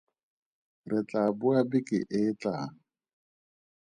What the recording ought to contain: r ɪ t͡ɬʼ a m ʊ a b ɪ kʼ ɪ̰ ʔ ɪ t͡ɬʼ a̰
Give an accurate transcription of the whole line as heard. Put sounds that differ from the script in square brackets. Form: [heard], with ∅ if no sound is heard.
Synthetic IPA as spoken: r ɪ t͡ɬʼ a [b] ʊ a b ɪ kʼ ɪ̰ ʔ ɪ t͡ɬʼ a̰